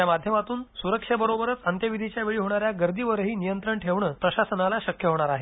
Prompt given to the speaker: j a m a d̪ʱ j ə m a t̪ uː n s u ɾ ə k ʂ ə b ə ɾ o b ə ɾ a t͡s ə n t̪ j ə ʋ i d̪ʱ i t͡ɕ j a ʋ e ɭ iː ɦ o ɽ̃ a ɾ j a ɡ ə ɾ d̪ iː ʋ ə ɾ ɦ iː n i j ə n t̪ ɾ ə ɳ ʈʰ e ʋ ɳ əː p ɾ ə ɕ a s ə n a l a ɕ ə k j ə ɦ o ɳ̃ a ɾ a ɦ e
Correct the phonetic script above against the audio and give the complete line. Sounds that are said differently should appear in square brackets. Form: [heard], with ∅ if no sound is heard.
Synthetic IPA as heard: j a m a d̪ʱ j ə m a t̪ uː n s u ɾ ə k ʂ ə b ə ɾ o b ə ɾ [ə] t͡s ə n t̪ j ə ʋ i d̪ʱ i t͡ɕ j a ʋ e ɭ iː ɦ o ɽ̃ a ɾ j a ɡ ə ɾ d̪ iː ʋ ə ɾ ɦ iː n i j ə n t̪ ɾ ə ɳ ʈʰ e ʋ ɳ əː p ɾ ə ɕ a s ə n a l a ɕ ə k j ə ɦ o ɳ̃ a ɾ a ɦ e